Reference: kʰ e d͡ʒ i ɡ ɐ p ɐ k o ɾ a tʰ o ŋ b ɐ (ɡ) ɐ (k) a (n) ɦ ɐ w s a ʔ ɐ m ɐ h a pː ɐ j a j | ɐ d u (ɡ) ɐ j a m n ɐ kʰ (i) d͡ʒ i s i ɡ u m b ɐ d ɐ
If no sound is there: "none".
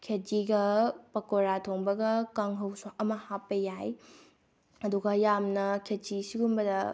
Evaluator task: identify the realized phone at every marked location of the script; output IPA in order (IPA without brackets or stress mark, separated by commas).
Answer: ɡ, k, ŋ, ɡ, e